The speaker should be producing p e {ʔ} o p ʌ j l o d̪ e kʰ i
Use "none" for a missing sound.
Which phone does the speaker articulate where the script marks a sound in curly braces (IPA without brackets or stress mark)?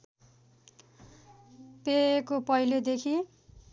k